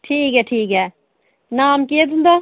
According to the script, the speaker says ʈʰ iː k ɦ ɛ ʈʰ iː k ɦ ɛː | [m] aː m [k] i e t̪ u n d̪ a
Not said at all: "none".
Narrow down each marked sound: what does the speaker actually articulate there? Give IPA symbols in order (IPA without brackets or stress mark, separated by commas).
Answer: n, k